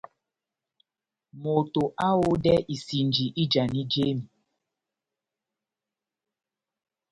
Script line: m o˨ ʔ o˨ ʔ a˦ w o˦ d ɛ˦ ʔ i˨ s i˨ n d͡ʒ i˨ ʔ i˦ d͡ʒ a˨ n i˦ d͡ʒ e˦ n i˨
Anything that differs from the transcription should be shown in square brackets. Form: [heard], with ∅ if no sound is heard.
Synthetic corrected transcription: m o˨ [t] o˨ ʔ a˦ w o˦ d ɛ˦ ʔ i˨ s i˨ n d͡ʒ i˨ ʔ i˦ d͡ʒ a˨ n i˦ d͡ʒ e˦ [m] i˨